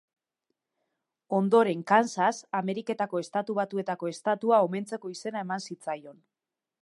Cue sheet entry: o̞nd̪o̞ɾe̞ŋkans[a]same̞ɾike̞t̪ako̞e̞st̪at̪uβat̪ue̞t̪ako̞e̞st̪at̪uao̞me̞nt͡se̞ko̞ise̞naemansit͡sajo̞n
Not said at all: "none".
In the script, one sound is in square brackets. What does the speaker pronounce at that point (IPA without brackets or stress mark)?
a